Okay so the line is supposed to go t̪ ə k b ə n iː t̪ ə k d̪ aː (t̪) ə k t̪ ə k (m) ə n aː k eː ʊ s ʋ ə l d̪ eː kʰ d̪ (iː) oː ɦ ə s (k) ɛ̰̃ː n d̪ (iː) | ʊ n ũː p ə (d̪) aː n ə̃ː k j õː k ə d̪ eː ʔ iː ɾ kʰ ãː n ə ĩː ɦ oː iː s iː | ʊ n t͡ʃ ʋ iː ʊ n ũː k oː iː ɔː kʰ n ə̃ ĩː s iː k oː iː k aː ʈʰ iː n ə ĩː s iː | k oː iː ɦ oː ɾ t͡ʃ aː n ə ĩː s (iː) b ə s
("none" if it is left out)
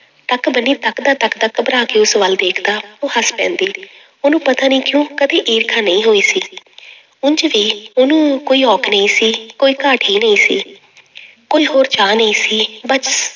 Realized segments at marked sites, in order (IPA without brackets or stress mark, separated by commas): t̪, b, aː, p, iː, t̪, iː